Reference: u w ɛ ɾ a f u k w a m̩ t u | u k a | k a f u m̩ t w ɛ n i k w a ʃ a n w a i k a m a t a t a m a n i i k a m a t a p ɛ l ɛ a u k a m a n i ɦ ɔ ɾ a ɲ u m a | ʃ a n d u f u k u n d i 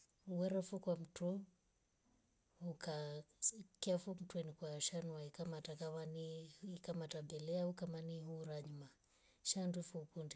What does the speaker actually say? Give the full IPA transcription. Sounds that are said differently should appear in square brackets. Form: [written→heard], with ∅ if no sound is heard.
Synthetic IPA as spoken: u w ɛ ɾ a f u k w a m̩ t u | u k a | k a f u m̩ t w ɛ n i k w a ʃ a n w a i k a m a t a [t→k] a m a n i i k a m a t a [p→b] ɛ l ɛ a u k a m a n i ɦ [ɔ→u] ɾ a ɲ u m a | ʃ a n d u f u k u n d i